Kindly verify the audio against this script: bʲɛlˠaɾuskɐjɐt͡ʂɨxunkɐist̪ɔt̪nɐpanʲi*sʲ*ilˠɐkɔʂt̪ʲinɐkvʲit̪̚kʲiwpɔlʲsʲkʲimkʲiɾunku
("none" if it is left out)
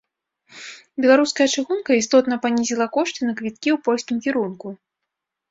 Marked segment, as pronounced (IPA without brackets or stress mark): zʲ